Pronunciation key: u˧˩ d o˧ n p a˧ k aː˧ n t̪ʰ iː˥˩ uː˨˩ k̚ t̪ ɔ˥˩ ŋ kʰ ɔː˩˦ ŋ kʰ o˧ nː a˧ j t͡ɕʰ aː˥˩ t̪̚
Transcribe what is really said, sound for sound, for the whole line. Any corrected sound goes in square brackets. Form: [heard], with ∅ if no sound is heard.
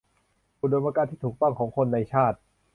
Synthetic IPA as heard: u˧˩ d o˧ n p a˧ k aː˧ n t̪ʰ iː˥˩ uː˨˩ k̚ t̪ ɔ˥˩ ŋ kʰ ɔː˩˦ ŋ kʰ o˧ nː a˧ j t͡ɕʰ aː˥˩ t̪̚